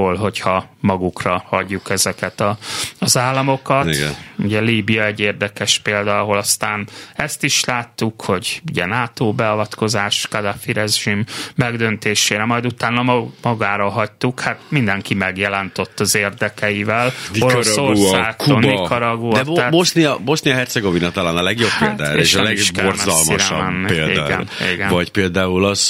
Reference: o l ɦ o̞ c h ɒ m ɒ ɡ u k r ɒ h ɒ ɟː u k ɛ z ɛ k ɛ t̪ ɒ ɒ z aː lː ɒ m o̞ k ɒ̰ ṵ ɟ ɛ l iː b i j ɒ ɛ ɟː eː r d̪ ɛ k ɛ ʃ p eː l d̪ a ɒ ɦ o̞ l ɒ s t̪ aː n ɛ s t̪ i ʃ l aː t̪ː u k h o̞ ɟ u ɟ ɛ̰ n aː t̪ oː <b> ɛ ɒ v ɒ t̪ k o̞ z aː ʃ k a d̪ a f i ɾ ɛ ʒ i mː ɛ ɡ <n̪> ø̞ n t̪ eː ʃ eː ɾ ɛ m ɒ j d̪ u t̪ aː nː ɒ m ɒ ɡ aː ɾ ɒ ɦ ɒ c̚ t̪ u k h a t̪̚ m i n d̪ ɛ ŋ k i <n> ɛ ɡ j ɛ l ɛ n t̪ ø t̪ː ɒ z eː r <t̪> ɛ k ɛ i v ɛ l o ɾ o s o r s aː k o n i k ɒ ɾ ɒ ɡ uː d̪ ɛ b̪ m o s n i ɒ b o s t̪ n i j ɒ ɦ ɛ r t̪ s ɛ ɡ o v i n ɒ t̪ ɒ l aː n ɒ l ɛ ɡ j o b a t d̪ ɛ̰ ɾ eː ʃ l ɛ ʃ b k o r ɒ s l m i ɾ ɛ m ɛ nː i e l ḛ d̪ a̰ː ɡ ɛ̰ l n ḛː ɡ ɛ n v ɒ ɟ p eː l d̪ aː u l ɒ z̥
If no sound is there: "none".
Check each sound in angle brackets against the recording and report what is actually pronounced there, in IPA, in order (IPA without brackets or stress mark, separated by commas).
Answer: b, d̪, m, d̪